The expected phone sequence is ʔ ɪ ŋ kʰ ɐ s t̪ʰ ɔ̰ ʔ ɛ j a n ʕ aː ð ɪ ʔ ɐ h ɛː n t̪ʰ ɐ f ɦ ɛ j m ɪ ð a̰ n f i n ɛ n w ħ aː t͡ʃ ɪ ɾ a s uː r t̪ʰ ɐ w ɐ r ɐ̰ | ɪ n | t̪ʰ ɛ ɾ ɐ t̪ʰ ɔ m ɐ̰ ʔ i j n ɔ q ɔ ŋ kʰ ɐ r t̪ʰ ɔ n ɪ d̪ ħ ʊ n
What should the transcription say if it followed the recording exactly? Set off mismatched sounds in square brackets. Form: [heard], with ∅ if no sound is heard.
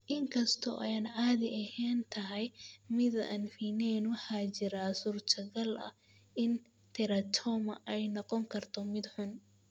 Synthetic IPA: ʔ ɪ ŋ kʰ ɐ s t̪ʰ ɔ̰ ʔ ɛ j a n ʕ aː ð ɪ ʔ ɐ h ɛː n t̪ʰ ɐ [∅] ɦ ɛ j m ɪ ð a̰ n f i n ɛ n w ħ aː t͡ʃ ɪ ɾ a s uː r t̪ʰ ɐ [ɣ] ɐ [l] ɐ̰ | ɪ n | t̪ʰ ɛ ɾ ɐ t̪ʰ ɔ m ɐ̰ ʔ [ɛ] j n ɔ q ɔ ŋ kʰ ɐ r t̪ʰ ɔ [m] ɪ d̪ ħ ʊ n